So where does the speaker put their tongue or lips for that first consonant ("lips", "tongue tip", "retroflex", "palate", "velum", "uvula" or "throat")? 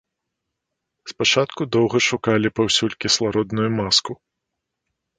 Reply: tongue tip